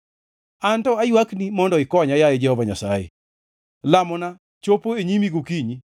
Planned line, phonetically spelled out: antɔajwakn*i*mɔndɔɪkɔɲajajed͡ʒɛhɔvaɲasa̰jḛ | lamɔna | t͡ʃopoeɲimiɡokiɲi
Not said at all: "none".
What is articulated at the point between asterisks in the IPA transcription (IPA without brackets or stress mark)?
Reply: i